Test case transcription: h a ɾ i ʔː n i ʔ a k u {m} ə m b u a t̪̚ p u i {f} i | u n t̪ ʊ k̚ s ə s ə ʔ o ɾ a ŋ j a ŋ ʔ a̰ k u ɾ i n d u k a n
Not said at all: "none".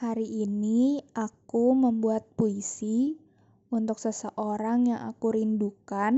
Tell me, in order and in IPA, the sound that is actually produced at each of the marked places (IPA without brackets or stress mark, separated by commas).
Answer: m, s